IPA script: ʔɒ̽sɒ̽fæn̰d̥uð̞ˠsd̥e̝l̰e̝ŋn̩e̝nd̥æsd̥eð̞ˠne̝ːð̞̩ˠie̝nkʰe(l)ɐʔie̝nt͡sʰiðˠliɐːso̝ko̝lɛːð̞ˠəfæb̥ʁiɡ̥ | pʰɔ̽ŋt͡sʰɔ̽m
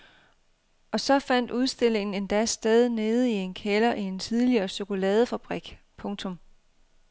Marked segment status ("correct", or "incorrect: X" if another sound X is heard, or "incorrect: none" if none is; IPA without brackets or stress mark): correct